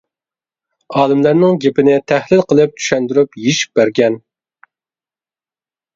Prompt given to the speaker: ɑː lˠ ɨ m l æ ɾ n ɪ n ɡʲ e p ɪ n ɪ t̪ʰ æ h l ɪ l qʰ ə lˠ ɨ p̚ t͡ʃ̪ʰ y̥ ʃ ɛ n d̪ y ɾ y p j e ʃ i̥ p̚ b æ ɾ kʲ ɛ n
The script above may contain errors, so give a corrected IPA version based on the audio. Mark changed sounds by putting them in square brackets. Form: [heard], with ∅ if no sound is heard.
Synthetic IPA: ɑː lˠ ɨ m l æ ɾ n ɪ [ŋ] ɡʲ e p ɪ n ɪ t̪ʰ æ h l ɪ l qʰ ə lˠ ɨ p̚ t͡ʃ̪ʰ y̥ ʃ ɛ n d̪ y ɾ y p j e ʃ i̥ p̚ b æ ɾ [ɡʲ] ɛ n